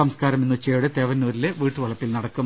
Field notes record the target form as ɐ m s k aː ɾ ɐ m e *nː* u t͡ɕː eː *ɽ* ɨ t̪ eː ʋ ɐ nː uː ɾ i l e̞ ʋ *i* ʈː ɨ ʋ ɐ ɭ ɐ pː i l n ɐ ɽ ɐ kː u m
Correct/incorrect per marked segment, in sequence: correct, correct, incorrect: iː

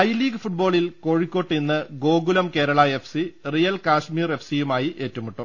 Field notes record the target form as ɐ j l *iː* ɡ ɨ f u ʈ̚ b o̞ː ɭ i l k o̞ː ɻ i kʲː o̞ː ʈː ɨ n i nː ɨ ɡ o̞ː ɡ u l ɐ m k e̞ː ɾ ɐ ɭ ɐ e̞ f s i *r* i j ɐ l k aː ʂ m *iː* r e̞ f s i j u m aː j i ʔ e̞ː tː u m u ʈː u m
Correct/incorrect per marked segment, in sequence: correct, correct, correct

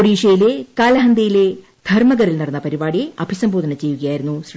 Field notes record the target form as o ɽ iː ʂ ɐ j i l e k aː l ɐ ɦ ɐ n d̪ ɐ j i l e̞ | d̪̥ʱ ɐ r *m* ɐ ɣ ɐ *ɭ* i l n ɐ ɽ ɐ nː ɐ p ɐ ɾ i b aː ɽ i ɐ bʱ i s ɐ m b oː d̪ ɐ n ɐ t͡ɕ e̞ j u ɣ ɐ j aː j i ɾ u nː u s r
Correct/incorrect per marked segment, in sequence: correct, incorrect: ɾ

